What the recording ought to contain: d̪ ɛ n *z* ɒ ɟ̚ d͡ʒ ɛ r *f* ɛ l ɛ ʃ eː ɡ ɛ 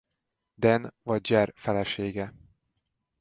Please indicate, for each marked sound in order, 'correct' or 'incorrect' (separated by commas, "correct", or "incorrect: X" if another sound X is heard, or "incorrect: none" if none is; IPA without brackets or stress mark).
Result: incorrect: v, correct